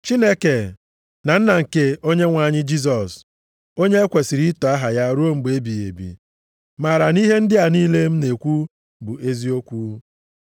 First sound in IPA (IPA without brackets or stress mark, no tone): t͡ʃ